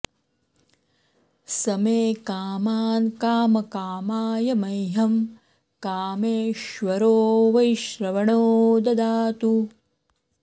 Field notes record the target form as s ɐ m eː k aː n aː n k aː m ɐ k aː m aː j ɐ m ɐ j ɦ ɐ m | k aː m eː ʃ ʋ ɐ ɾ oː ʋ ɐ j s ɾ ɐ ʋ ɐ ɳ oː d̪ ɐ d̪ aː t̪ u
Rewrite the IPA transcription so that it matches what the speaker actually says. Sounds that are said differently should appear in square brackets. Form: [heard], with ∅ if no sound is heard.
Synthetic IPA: s ɐ m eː k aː [m] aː n k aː m ɐ k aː m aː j ɐ m ɐ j ɦ ɐ m | k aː m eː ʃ ʋ ɐ ɾ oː ʋ ɐ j [ʃ] ɾ ɐ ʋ ɐ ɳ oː d̪ ɐ d̪ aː t̪ u

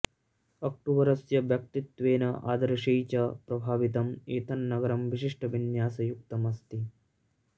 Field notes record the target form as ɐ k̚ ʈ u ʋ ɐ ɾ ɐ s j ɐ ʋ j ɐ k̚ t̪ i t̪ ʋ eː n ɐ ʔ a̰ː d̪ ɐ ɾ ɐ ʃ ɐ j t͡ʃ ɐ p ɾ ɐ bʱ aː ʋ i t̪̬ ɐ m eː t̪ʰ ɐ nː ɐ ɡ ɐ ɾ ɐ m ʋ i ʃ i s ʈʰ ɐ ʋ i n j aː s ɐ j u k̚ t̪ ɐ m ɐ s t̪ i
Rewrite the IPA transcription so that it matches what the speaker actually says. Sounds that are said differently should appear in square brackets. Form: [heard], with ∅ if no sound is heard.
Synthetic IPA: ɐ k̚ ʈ u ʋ ɐ ɾ ɐ s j ɐ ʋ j ɐ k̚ t̪ i t̪ ʋ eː n ɐ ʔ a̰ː d̪ ɐ ɾ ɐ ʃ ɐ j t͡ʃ ɐ p ɾ ɐ bʱ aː ʋ i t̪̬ ɐ m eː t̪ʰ ɐ nː ɐ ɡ ɐ ɾ ɐ m ʋ i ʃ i [ʂ] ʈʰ ɐ ʋ i n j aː s ɐ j u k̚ t̪ ɐ m ɐ s t̪ i

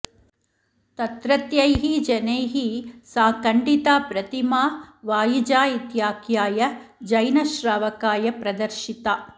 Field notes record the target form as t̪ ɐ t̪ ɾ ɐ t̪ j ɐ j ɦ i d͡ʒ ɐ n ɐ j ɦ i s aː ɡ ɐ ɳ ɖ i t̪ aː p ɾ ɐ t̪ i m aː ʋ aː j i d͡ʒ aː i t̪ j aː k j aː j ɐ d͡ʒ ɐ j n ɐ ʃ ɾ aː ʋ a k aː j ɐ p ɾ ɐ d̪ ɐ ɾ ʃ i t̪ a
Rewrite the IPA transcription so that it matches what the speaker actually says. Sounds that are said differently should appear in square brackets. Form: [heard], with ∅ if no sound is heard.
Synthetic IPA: t̪ ɐ t̪ ɾ ɐ t̪ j ɐ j ɦ i d͡ʒ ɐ n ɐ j ɦ i s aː [k] ɐ ɳ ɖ i t̪ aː p ɾ ɐ t̪ i m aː ʋ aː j i d͡ʒ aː i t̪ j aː k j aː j ɐ d͡ʒ ɐ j n ɐ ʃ ɾ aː ʋ [ɐ] k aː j ɐ p ɾ ɐ d̪ ɐ ɾ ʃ i t̪ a

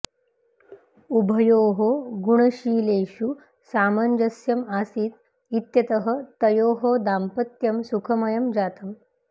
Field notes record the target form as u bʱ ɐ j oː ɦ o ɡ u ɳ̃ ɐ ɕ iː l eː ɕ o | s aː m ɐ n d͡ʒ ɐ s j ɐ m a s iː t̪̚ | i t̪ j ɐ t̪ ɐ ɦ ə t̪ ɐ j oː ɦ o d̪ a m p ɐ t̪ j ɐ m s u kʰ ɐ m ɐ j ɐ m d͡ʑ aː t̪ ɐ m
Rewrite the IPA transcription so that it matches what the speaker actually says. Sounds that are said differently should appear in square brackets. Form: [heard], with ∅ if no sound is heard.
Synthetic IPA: u bʱ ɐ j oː ɦ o ɡ u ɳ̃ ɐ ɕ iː l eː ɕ [u] | s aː m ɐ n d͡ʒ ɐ s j ɐ m a s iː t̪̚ | i t̪ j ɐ t̪ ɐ ɦ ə t̪ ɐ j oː ɦ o d̪ a m p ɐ t̪ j ɐ m s u kʰ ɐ m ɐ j ɐ m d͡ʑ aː t̪ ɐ m

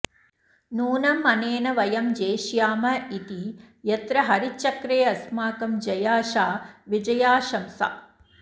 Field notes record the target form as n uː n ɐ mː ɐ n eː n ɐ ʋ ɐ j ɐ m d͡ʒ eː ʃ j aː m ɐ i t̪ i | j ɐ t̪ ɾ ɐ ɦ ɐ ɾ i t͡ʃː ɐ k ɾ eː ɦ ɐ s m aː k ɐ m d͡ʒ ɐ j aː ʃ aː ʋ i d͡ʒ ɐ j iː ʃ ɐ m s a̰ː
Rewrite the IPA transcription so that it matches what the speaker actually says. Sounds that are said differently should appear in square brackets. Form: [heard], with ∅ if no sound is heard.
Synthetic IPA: n uː n ɐ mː ɐ n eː n ɐ ʋ ɐ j ɐ m d͡ʒ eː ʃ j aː m ɐ i t̪ i | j ɐ t̪ ɾ ɐ ɦ ɐ ɾ i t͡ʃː ɐ k ɾ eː [∅] ɐ s m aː k ɐ m d͡ʒ ɐ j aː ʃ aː ʋ i d͡ʒ ɐ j [aː] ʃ ɐ m s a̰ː

